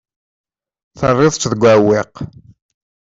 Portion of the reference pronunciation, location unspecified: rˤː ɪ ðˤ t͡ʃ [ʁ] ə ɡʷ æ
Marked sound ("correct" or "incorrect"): incorrect